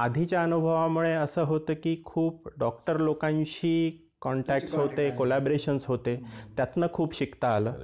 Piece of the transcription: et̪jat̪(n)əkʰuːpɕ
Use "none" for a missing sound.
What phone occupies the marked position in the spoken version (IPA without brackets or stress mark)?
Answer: n